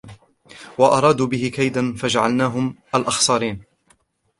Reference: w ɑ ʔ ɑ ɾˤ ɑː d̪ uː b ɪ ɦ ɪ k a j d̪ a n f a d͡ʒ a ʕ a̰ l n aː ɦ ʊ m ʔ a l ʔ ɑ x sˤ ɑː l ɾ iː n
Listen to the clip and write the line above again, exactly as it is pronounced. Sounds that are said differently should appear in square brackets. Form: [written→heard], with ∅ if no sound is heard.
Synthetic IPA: w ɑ ʔ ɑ ɾˤ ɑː d̪ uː b ɪ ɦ ɪ k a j d̪ a n f a d͡ʒ a ʕ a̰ l n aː ɦ ʊ m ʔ a l ʔ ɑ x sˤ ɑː [l→∅] ɾ iː n